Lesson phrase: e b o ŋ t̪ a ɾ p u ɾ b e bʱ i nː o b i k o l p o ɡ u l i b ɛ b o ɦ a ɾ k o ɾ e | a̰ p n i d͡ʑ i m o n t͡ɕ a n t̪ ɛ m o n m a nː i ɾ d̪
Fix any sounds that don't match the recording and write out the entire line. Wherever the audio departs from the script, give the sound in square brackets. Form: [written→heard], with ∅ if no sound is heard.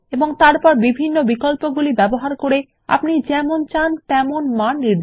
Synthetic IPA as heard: e b o ŋ t̪ a ɾ p [u→ɔ] ɾ b [e→i] bʱ i nː o b i k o l p o ɡ u l i b ɛ b o ɦ a ɾ k o ɾ e | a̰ p n i d͡ʑ [i→ɛ] m o n t͡ɕ a n t̪ ɛ m o n m a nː i ɾ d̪